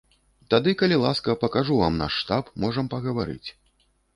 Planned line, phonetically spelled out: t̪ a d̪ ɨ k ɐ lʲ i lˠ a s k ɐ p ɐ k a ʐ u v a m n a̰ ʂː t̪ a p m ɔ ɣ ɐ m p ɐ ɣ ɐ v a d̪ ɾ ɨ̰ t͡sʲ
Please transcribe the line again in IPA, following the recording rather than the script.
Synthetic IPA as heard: t̪ a d̪ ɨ k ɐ lʲ i lˠ a s k ɐ p ɐ k a ʐ u v a m n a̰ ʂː t̪ a p m ɔ ʐ ɐ m p ɐ ɣ ɐ v a ɾ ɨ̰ t͡sʲ